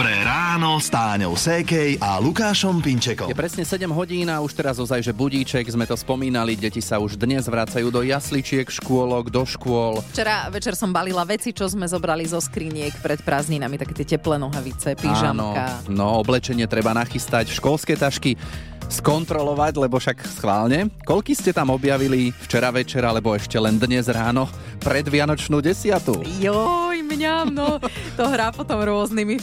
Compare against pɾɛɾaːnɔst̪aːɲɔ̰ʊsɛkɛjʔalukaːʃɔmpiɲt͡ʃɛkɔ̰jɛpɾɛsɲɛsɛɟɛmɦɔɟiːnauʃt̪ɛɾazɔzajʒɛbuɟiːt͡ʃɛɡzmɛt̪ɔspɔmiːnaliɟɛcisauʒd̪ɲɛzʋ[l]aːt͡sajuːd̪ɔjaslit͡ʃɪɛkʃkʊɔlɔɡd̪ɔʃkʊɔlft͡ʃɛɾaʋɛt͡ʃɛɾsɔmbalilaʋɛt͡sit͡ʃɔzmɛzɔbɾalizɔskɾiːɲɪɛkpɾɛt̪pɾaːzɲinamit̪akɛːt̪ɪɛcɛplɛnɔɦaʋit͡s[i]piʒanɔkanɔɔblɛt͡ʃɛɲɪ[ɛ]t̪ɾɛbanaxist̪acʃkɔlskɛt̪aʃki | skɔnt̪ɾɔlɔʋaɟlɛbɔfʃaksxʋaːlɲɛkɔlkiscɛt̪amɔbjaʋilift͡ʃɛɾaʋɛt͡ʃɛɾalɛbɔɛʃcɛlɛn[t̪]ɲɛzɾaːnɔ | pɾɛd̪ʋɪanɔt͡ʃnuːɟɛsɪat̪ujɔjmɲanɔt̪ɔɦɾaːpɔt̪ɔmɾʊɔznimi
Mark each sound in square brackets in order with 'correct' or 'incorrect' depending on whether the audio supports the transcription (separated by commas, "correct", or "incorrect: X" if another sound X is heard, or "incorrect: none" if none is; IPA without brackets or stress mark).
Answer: incorrect: ɾ, incorrect: ɛ, correct, incorrect: d̪